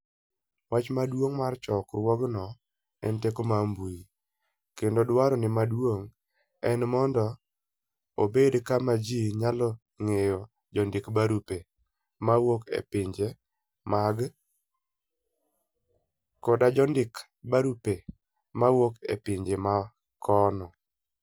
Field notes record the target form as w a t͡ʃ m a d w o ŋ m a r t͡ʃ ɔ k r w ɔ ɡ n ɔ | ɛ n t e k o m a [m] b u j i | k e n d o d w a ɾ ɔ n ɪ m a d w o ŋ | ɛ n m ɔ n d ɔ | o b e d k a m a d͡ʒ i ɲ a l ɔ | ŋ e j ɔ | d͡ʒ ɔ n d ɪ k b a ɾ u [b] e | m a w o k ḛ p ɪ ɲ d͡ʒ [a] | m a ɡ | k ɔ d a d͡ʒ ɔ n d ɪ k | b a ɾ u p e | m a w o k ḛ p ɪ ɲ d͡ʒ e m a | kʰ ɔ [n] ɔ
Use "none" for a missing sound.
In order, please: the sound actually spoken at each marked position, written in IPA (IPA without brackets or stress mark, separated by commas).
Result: m, p, e, n